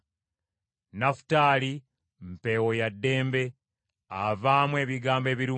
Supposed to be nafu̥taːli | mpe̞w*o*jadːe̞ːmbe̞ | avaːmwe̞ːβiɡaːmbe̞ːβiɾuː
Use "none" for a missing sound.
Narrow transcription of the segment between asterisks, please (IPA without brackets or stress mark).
o